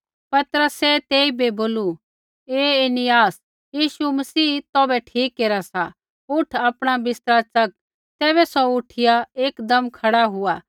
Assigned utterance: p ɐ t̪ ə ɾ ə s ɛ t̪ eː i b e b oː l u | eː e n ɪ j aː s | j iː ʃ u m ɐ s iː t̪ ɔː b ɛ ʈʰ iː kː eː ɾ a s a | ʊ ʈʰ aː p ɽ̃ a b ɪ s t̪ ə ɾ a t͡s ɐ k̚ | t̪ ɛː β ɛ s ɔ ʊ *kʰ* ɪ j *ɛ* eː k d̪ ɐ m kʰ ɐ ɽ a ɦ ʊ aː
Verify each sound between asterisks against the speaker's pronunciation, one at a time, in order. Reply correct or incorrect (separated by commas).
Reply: incorrect, incorrect